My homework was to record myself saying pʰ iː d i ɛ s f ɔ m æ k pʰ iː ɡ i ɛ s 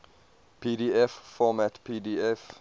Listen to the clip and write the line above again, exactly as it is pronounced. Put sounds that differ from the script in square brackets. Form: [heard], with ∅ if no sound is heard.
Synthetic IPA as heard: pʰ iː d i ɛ [f] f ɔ m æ [t] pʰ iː [d] i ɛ [f]